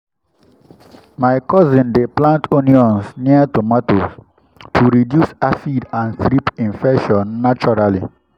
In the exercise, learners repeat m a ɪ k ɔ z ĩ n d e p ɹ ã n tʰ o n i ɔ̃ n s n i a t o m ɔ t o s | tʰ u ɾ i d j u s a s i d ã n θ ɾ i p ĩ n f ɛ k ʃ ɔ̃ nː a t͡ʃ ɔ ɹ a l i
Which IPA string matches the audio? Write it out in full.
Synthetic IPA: m a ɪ k ɔ z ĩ n d e p l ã n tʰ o n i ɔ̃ n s n i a t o m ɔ t o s | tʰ u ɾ i d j u s a s i d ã n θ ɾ i p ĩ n f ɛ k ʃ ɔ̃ nː a t͡ʃ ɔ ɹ a l i